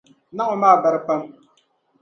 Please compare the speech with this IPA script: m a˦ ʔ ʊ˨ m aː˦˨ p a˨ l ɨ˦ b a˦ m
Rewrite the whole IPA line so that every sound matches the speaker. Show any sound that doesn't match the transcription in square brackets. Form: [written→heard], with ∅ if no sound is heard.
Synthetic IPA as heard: [m→n] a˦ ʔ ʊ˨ m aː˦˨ [p→b] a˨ [l→ɾ] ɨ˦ [b→p] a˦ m